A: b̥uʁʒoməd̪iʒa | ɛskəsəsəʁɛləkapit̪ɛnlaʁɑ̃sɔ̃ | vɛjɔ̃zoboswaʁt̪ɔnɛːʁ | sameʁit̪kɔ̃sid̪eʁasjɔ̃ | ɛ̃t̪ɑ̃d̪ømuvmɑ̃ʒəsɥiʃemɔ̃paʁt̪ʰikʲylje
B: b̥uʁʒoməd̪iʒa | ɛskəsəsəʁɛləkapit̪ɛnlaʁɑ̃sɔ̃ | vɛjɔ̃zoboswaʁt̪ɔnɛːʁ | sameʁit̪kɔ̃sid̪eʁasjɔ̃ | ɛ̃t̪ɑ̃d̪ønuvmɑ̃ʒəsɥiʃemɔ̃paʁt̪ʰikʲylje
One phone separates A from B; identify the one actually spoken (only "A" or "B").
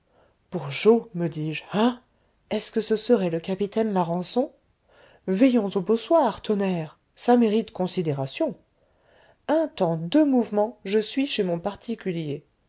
A